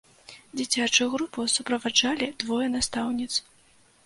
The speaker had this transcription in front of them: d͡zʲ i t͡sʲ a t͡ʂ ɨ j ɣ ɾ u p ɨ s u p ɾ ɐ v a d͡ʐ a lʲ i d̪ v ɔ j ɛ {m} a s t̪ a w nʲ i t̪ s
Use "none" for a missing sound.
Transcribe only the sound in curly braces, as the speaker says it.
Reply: n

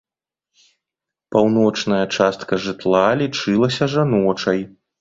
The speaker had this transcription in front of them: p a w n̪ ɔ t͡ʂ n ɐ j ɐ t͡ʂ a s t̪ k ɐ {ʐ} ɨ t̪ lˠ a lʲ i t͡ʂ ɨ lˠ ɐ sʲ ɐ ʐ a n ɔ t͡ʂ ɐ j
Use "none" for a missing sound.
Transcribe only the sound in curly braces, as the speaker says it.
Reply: ʐ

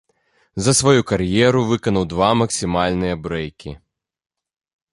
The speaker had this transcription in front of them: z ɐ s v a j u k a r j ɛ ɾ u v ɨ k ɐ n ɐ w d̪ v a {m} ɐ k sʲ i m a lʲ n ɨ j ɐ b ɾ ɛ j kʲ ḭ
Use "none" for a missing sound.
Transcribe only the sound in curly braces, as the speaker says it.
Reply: m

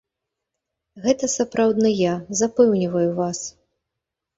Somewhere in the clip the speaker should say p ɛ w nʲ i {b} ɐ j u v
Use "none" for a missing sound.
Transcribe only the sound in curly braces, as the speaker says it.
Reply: v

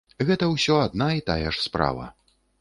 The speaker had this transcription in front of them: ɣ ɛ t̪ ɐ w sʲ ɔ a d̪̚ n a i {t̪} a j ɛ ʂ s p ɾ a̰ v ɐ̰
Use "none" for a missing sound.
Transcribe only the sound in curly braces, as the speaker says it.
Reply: t̪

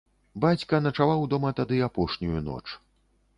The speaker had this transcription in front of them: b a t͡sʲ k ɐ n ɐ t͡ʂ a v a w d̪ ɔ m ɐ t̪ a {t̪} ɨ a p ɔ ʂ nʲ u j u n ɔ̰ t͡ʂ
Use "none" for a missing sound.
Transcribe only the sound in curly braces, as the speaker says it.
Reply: d̪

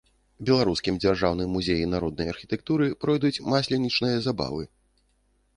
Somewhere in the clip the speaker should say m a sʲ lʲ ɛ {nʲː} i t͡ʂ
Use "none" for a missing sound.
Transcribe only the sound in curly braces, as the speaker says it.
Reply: nʲ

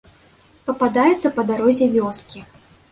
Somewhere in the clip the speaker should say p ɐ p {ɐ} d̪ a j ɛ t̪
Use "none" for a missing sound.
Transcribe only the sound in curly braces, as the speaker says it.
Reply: a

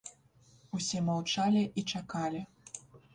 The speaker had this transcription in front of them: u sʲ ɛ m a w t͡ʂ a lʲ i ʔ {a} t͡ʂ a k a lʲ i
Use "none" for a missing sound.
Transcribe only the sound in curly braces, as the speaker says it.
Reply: i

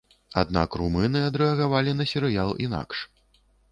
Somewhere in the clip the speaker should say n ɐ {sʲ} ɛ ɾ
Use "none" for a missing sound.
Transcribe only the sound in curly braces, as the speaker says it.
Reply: sʲ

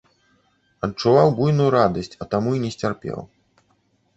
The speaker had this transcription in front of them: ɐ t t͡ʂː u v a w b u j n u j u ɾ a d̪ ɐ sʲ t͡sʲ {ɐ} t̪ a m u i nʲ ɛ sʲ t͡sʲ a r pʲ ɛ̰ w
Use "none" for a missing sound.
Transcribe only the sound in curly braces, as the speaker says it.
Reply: ɐ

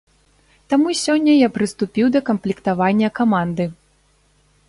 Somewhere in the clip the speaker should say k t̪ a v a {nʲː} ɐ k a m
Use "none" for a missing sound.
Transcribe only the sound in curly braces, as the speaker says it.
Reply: nʲː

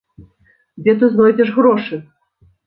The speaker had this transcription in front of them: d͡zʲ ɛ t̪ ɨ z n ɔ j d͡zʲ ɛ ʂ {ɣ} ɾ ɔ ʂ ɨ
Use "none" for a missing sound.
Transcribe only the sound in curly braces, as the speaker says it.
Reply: ɣ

